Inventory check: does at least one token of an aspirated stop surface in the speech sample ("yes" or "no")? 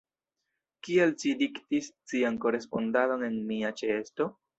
no